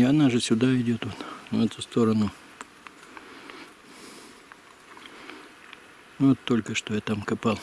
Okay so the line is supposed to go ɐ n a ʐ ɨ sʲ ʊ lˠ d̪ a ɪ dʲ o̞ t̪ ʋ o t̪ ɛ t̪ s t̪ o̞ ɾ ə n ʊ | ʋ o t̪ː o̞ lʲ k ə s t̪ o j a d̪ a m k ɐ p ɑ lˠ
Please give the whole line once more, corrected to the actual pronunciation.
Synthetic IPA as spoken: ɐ n a ʐ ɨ sʲ ʊ d̪ a ɪ dʲ o̞ t̪ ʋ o t̪ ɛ t̪ s t̪ o̞ ɾ ə n ʊ | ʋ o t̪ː o̞ lʲ k ə ʂ t̪ o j a t̪ a m k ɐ p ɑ lˠ